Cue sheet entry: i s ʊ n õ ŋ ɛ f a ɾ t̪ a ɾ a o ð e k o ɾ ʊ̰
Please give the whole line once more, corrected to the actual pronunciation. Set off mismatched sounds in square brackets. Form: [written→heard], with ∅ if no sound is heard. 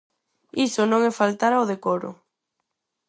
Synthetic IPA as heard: i s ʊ n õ ŋ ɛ f a [ɾ→l] t̪ a ɾ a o ð e k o ɾ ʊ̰